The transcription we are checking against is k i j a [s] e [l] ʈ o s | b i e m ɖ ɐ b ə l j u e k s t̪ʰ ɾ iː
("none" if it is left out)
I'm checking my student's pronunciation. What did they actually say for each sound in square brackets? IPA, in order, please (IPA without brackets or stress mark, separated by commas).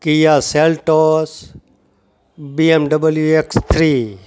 s, l